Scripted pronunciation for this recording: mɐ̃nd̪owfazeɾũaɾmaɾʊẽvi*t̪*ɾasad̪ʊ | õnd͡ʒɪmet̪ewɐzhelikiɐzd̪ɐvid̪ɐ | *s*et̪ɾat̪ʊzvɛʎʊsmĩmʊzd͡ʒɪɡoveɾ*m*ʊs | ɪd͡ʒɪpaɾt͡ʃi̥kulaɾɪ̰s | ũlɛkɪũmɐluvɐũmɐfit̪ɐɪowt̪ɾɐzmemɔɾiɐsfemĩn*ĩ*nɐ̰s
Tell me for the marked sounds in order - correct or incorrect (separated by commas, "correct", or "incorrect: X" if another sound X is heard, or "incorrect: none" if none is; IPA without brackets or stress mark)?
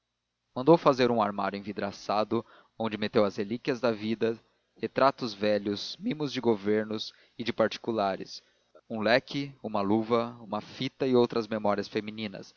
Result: incorrect: d̪, incorrect: h, incorrect: n, correct